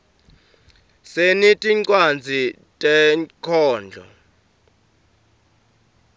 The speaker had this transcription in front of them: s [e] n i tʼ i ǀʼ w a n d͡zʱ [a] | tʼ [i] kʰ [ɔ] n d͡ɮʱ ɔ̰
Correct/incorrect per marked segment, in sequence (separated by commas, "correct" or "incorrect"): correct, incorrect, incorrect, incorrect